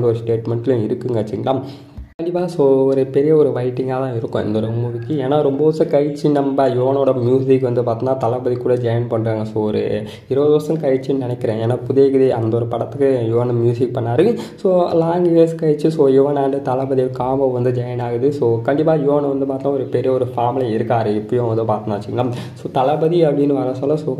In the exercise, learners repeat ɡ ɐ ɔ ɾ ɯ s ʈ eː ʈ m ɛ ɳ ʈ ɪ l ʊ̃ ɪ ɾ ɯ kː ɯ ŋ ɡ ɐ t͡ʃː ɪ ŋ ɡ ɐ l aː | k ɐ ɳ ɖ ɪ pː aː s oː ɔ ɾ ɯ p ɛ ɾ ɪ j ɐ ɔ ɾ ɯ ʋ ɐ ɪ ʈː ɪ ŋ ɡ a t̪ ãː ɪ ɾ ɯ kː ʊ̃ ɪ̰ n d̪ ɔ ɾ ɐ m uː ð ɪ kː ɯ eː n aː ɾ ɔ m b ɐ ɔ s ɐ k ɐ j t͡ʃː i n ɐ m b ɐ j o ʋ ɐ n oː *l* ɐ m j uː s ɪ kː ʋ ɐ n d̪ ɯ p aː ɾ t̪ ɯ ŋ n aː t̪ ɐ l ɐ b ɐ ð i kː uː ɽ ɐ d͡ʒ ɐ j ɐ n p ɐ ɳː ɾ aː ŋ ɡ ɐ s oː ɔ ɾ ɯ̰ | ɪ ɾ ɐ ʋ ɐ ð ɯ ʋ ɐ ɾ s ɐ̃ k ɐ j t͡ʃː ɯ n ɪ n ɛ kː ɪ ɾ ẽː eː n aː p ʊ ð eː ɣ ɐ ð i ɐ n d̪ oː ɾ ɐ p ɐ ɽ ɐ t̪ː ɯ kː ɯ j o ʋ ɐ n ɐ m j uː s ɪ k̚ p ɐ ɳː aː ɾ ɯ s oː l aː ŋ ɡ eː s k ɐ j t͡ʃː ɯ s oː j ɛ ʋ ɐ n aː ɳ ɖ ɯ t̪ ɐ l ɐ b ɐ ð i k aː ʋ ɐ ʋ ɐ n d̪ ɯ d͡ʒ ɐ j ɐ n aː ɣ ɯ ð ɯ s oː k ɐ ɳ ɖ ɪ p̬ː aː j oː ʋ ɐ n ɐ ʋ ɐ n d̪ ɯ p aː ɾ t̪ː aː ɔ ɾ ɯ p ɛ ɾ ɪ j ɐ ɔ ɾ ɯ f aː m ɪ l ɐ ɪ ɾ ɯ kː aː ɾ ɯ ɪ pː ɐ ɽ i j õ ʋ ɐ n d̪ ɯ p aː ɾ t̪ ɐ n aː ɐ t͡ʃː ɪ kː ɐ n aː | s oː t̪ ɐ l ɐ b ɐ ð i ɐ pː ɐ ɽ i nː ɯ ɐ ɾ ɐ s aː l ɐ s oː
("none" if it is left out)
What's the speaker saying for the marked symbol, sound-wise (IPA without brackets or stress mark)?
ɽ